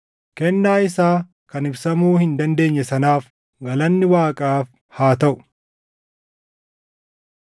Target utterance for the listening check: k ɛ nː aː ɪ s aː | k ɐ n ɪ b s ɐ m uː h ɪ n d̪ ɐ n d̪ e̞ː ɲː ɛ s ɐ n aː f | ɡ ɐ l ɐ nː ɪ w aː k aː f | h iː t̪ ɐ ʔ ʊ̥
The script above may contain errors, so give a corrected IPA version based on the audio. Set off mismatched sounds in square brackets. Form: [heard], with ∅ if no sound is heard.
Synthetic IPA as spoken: k ɛ nː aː ɪ s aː | k ɐ n ɪ b s ɐ m uː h ɪ n d̪ ɐ n d̪ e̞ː ɲː ɛ s ɐ n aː f | ɡ ɐ l ɐ nː ɪ w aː [kʼ] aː f | h [aː] t̪ ɐ ʔ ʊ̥